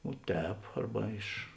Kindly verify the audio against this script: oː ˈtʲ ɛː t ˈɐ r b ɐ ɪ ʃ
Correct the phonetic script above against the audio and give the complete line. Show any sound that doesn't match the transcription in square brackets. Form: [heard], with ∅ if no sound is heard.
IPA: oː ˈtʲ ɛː [p] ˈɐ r b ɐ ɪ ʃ